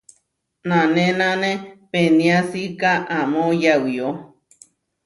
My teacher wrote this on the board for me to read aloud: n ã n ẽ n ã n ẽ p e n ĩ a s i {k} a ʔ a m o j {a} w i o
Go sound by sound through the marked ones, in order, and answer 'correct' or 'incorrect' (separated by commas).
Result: correct, correct